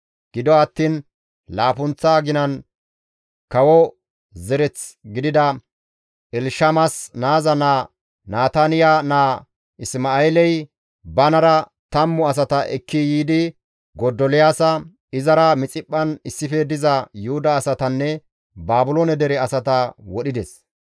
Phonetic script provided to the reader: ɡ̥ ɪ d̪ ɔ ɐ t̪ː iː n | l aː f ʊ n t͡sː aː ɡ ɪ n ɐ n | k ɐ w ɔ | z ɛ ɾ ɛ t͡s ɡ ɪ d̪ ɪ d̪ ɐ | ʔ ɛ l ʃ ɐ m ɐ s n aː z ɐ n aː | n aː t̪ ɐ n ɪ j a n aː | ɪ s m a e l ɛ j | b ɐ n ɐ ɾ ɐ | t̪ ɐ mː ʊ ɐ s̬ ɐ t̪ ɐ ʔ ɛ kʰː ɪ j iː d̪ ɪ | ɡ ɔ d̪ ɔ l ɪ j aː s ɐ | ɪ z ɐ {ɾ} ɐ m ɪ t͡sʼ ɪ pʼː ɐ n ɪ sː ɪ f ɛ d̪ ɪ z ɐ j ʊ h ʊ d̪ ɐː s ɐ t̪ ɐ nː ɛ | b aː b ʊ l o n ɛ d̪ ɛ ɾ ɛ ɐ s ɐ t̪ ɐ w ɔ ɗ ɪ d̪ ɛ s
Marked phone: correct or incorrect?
correct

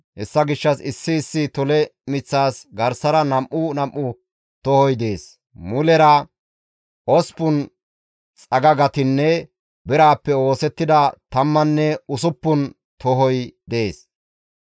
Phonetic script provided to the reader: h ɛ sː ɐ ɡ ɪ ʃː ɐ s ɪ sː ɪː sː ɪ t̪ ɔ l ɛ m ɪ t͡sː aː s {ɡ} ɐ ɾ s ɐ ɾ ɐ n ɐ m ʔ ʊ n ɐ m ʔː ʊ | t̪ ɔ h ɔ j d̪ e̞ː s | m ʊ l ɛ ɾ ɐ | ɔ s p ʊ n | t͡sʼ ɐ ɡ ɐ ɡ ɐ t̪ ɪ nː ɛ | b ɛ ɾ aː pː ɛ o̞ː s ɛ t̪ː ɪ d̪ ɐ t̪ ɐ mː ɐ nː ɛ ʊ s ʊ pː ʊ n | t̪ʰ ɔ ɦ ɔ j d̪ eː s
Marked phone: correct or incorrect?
correct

